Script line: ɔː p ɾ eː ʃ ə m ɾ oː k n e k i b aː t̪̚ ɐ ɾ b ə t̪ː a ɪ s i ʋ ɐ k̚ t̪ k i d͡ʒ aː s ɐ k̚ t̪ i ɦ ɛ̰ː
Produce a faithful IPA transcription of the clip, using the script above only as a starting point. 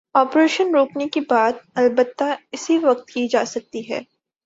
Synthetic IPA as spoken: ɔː p ɾ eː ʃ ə n ɾ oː k n e k i b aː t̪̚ ɐ l b ə t̪ː a ɪ s i ʋ ɐ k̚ t̪ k i d͡ʒ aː s ɐ k̚ t̪ i ɦ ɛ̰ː